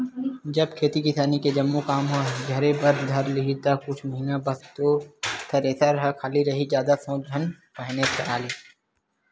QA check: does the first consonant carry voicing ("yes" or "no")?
yes